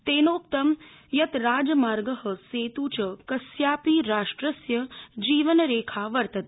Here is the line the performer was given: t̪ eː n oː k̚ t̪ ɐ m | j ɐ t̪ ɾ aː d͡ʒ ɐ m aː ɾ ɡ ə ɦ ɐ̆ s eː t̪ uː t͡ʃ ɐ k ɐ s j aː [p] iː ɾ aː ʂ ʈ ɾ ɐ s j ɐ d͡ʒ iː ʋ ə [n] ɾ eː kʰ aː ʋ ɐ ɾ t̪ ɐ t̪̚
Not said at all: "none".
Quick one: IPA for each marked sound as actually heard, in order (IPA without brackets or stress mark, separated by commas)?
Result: p, n